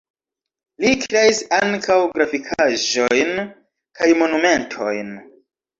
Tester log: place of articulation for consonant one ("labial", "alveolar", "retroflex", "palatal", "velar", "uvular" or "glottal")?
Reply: alveolar